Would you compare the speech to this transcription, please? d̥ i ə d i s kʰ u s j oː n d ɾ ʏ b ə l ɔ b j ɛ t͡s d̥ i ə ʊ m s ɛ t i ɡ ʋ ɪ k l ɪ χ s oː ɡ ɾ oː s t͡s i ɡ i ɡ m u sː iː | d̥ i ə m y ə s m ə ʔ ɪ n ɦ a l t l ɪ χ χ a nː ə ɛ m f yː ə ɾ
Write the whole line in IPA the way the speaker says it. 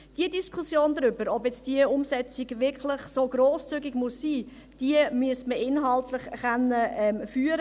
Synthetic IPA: d̥ i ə d i s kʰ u s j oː n d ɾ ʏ b ə ɾ ɔ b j ɛ t͡s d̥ i ə ʊ m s ɛ t͡s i ɡ ʋ ɪ k l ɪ χ s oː ɡ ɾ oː s t͡s y ɡ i ɡ m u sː iː | d̥ i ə m y ə s m ə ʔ ɪ n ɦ ɑ l t l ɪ χ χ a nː ə ɛ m f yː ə ɾ

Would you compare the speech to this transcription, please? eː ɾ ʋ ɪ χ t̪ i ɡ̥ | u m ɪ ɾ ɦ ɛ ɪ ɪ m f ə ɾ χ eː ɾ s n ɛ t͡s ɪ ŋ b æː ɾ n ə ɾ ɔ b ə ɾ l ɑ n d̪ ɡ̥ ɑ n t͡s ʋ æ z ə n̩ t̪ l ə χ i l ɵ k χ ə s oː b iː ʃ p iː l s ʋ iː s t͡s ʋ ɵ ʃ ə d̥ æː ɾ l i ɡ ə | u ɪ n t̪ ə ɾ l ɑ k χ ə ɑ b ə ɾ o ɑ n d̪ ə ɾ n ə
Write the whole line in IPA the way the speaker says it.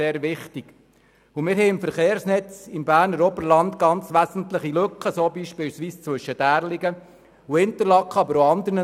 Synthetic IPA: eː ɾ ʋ ɪ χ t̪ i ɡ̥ | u m ɪ ɾ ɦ ɛ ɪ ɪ m f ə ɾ χ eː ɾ s n ɛ t͡s ɪ m b æː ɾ n ə ɾ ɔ b ə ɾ l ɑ n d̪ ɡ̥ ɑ n t͡s ʋ æ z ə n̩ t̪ l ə χ i l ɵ k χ ə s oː b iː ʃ p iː l s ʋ iː s t͡s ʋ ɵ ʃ ə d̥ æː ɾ l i ɡ ə | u ɪ n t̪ ə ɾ l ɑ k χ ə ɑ b ə ɾ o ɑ n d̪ ə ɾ n ə

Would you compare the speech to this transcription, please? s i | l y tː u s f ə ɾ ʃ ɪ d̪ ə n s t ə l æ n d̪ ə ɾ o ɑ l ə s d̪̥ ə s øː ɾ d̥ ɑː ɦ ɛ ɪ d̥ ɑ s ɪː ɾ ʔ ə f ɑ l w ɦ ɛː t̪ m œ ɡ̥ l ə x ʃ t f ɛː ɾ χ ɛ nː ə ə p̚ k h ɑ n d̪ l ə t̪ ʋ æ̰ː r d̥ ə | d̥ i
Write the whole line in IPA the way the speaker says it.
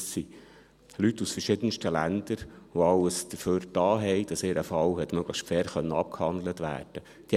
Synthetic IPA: s i | l y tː u s f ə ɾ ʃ ɪ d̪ ə n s t ə l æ n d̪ ə ɾ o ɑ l ə s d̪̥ ə f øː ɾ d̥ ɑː ɦ ɛ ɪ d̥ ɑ s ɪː ɾ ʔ ə f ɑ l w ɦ ɛ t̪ m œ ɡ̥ l ə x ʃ t f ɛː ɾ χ œ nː ə ɑ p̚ k h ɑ n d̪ l ə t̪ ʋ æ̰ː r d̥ ə | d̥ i

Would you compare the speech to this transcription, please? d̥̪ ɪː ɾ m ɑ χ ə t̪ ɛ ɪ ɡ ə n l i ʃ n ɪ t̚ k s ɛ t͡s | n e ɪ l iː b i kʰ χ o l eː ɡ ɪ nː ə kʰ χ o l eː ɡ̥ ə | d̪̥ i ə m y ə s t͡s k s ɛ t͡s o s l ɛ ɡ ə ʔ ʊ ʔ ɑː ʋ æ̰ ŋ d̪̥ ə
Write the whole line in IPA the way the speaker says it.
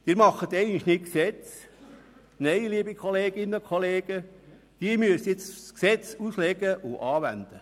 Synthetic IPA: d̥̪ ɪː ɾ m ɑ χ ə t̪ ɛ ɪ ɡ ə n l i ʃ n ɪ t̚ k s ɛ t͡s | n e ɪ l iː b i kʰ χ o l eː ɡ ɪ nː ə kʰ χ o l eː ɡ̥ ə | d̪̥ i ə m y ə s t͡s k s ɛ t͡s u s l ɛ ɡ ə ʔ ʊ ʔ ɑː ʋ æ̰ n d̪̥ ə

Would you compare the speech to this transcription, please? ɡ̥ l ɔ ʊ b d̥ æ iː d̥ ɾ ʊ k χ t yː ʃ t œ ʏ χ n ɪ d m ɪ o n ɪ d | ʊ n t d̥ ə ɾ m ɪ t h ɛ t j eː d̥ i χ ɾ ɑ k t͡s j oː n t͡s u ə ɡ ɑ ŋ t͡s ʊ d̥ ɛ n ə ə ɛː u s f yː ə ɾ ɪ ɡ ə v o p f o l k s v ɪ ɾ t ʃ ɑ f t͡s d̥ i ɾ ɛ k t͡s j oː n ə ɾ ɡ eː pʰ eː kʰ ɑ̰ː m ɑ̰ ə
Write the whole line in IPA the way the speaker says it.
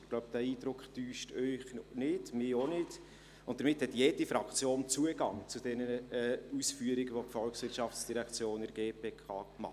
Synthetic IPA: ɡ̥ l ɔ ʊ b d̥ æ iː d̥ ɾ ʊ k χ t yː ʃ t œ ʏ χ n ɪ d m ɪ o n ɪ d | ʊ n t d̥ ə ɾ m ɪ t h ɛ t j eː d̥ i f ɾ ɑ k t͡s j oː n t͡s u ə ɡ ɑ ŋ t͡s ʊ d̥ ɛ n ə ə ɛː u s f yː ə ɾ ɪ ɡ ə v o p f ɔ l k s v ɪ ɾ t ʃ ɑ f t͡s d̥ i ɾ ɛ k t͡s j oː n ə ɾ ɡ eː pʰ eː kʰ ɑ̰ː m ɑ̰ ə

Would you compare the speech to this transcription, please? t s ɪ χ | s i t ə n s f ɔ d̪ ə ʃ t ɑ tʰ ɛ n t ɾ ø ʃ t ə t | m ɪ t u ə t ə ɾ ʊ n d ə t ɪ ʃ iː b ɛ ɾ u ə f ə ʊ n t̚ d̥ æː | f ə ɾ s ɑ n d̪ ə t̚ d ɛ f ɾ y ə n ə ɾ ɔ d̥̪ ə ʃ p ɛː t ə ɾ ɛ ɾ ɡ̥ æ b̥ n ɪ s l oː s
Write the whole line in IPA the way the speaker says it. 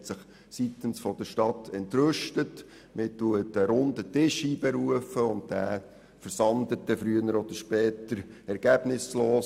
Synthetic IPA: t s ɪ χ | s i t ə n s f ɔ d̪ ə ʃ t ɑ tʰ ɛ n t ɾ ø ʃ t ə t | m ɪ t u ə t ə ɾ ʊ n d ə t ɪ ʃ iː b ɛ ɾ u ə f ə ʊ n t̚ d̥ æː | f ə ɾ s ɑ n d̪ ə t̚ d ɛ f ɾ y ə n ə ɾ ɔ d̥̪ ə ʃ p ɛː t ə ɾ ɛ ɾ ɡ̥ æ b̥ n ɪ s l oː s

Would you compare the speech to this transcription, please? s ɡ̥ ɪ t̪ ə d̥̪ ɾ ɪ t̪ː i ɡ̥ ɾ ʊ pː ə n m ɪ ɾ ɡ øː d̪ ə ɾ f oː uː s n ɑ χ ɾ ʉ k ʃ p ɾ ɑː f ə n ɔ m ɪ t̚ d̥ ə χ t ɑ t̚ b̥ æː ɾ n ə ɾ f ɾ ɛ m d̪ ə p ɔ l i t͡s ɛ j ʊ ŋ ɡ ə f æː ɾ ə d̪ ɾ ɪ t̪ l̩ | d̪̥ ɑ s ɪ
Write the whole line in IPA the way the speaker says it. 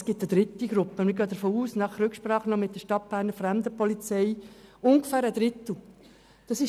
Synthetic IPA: s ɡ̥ ɪ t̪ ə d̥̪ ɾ ɪ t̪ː i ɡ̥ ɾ ʊ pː ə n m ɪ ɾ ɡ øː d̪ ə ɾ f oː uː s n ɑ χ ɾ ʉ k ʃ p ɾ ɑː χ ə n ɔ m ɪ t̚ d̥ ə ʃ t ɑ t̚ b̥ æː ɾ n ə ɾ f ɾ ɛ m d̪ ə p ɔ l i t͡s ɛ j ʊ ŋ ɡ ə f æː ɾ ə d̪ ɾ ɪ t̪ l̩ | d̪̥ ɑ s ɪ

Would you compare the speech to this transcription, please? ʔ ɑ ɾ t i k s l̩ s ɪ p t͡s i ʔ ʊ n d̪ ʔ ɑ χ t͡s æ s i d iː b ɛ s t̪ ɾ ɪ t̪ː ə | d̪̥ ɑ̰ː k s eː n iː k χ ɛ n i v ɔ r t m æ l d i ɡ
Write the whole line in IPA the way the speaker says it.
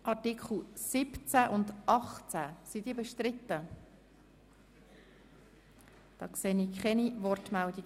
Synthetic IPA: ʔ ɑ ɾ t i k χ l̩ s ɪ p t͡s æ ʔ ʊ n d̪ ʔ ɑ χ t͡s æ s i d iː b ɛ ʃ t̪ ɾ ɪ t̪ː ə | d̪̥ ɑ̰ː k s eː n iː k χ ɛ n i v ɔ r t m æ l d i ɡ

